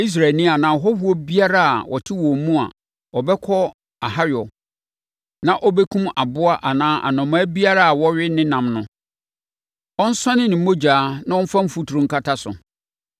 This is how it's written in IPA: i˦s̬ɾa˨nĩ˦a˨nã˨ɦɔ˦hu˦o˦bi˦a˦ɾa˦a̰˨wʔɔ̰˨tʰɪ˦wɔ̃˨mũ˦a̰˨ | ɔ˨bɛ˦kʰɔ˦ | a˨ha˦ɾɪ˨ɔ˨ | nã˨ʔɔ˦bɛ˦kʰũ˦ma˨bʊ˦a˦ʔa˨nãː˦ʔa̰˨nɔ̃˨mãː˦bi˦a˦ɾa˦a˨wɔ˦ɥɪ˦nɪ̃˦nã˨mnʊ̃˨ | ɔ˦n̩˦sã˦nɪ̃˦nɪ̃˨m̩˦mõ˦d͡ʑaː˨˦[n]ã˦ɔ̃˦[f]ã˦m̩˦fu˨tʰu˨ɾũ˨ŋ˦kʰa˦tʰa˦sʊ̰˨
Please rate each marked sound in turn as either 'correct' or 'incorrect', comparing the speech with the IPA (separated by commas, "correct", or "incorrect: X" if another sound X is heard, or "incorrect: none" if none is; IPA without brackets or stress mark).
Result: correct, correct